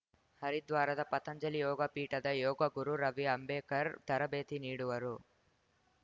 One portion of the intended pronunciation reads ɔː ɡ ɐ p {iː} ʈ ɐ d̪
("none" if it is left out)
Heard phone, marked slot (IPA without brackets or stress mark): iː